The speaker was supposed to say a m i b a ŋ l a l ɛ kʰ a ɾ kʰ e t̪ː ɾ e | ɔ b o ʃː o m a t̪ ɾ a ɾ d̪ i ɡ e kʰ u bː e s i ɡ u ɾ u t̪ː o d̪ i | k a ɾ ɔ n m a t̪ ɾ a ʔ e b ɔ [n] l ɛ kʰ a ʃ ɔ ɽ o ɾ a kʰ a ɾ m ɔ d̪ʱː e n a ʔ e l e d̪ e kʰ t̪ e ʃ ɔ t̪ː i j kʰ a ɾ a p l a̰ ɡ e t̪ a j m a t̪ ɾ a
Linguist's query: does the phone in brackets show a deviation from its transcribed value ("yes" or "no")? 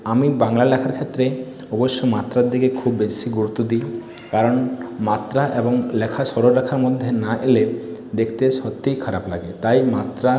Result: yes